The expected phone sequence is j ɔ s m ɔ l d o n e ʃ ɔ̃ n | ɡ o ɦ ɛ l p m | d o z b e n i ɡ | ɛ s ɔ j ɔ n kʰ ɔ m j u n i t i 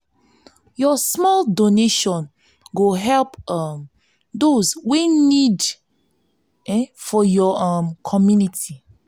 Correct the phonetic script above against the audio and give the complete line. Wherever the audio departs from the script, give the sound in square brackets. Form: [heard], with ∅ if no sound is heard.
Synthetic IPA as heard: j ɔ s m ɔ l d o n e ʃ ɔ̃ n | ɡ o ɦ ɛ l p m | d o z [w] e n i [d] | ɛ [f] ɔ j ɔ [m] kʰ ɔ m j u n i t i